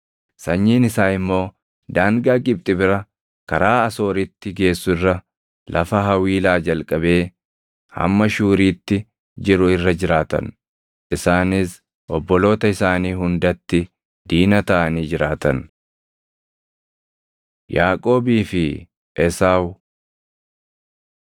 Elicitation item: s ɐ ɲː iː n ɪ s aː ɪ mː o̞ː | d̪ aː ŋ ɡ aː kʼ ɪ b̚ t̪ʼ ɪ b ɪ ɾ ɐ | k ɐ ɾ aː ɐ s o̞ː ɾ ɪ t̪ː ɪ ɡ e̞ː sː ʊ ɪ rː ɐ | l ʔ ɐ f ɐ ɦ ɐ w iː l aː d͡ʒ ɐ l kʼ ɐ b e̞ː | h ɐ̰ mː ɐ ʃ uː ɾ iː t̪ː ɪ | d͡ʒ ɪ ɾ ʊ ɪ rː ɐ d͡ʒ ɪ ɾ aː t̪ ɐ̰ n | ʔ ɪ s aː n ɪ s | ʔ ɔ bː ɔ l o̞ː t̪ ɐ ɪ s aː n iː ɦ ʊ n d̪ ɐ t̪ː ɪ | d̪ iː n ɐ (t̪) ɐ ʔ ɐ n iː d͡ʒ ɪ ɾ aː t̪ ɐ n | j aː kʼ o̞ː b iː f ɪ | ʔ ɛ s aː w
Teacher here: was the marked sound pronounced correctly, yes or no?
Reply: yes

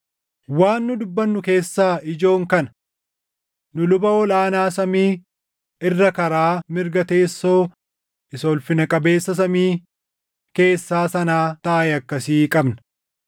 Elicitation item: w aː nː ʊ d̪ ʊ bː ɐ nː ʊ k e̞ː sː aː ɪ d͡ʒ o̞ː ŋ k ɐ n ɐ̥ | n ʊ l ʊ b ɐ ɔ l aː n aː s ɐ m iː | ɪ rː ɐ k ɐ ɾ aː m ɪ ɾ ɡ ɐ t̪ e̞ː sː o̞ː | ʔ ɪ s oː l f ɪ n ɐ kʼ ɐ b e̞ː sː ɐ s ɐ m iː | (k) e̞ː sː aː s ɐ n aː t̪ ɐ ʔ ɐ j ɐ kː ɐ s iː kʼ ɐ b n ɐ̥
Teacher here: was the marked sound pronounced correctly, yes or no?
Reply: yes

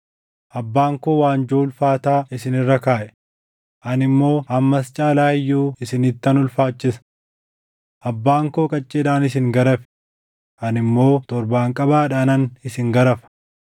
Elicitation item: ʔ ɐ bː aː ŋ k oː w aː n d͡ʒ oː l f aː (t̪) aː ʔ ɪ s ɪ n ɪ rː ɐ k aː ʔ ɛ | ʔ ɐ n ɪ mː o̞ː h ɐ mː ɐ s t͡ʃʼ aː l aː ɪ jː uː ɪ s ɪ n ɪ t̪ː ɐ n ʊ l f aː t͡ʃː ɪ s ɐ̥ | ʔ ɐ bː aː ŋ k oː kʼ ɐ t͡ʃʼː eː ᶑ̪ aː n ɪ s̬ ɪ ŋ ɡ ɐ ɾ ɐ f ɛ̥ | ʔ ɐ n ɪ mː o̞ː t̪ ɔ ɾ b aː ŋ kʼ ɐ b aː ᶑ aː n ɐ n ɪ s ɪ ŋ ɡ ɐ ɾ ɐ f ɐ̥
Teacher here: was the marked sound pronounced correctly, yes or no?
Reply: yes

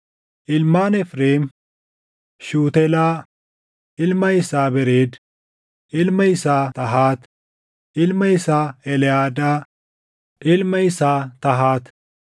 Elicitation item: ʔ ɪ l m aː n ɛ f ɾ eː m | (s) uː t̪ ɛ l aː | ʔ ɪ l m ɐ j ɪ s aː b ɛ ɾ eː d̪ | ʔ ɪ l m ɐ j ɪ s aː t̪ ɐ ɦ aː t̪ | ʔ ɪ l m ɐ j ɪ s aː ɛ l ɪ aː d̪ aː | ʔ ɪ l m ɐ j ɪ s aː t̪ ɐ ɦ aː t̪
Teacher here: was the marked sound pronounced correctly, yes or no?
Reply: no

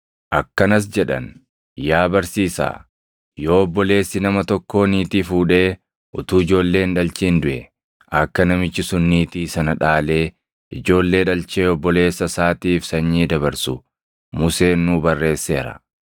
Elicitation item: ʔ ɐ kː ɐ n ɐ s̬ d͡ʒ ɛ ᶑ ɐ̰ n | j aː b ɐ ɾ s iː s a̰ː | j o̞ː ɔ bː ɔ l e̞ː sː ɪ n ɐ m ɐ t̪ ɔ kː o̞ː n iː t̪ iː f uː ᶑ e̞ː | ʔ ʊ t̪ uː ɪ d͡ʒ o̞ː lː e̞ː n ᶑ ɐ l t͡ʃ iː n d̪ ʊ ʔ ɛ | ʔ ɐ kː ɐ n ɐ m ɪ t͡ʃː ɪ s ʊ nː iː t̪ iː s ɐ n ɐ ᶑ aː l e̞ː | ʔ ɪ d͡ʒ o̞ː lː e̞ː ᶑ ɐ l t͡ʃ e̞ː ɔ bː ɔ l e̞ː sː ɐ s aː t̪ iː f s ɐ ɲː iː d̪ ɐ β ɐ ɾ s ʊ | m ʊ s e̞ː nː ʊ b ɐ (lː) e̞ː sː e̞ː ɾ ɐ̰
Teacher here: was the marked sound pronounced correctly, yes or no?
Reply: no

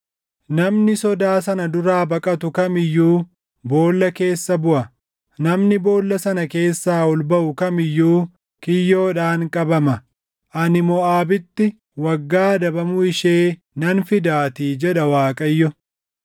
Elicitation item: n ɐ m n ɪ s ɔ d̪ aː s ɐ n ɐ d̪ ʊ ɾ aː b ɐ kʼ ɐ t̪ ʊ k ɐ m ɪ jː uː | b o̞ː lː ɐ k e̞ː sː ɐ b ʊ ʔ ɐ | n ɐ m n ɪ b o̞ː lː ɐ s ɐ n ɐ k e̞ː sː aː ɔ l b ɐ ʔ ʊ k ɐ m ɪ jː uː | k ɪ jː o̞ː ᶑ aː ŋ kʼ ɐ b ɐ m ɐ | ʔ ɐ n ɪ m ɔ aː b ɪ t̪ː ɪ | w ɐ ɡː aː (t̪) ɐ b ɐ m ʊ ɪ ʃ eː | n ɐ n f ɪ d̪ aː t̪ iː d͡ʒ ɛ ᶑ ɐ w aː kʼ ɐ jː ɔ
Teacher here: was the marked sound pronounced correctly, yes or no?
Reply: no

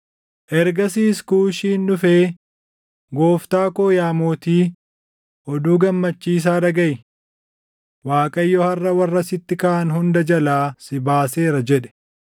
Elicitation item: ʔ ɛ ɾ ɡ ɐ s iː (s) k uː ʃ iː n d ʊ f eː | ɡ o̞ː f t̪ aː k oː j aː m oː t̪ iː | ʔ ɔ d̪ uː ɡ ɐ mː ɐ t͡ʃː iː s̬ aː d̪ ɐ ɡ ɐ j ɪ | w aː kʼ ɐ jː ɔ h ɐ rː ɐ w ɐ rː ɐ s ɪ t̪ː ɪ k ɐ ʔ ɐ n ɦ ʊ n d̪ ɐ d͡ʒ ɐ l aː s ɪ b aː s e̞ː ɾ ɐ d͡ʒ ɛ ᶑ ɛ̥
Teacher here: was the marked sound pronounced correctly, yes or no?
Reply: yes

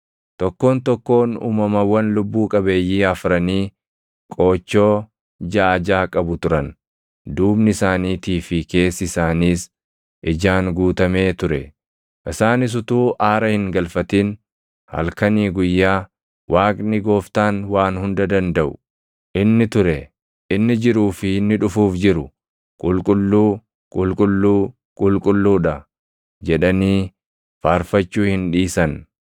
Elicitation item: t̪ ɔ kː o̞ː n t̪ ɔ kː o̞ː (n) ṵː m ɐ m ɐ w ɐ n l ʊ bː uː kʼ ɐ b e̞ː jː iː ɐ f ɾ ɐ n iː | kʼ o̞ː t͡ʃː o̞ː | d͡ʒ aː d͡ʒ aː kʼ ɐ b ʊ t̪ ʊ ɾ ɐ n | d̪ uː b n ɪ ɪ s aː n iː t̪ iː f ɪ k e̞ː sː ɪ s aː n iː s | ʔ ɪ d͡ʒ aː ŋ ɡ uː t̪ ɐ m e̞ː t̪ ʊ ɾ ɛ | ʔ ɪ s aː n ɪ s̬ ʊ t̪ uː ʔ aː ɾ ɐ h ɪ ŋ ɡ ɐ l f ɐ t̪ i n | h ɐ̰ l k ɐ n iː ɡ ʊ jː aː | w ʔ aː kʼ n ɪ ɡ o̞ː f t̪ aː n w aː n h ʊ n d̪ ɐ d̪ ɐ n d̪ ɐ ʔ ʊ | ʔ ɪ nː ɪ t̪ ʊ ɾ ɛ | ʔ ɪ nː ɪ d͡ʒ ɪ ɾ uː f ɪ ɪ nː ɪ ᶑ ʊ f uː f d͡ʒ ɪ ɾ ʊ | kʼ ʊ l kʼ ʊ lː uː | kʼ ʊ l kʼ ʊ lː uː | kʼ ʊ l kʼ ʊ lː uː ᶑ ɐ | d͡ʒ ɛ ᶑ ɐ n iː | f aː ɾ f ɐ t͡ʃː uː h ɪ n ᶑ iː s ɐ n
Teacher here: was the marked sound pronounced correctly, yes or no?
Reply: yes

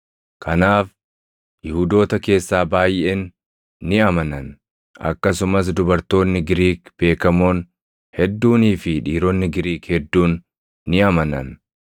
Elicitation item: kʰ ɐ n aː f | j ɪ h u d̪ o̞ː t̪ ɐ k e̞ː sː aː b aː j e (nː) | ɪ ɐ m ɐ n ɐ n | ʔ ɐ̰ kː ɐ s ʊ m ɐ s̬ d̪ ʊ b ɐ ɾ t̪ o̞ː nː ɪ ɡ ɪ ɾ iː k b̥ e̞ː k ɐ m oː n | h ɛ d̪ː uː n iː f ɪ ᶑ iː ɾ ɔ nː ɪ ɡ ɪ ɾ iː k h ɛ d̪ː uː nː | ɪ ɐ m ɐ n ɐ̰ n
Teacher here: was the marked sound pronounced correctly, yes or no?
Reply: yes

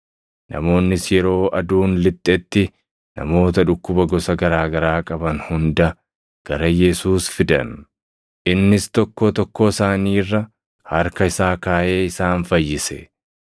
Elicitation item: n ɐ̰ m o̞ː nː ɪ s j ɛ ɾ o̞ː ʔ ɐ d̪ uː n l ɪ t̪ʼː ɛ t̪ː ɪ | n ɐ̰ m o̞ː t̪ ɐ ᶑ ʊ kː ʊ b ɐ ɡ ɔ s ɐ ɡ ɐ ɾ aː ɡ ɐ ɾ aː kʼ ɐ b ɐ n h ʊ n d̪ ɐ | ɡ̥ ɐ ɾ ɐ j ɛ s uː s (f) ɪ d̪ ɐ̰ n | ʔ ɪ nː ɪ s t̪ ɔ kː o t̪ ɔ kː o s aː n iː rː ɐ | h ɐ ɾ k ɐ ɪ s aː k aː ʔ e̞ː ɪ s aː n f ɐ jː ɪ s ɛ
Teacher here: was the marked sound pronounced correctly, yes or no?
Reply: yes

